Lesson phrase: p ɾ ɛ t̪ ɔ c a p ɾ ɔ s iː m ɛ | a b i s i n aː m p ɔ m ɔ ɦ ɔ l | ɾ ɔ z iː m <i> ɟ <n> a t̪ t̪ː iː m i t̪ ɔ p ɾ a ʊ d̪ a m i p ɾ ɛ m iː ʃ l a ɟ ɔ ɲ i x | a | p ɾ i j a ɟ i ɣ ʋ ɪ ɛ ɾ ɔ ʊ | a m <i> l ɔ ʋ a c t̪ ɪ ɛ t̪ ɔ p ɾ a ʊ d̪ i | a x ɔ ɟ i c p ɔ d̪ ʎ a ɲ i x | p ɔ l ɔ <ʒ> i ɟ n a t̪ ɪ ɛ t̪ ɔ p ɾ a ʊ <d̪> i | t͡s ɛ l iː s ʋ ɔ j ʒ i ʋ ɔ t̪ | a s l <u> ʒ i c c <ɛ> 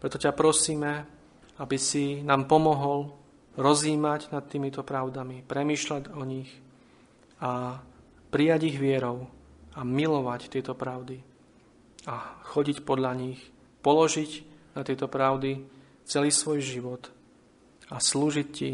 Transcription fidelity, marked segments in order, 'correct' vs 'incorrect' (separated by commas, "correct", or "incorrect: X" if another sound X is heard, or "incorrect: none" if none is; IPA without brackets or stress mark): incorrect: a, correct, correct, correct, correct, incorrect: uː, incorrect: i